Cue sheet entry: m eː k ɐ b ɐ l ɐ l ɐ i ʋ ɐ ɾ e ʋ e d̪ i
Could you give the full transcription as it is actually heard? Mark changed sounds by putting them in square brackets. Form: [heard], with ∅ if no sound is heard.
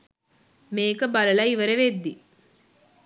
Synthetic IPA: m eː k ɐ b ɐ l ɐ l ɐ i ʋ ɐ ɾ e ʋ e [d̪ː] i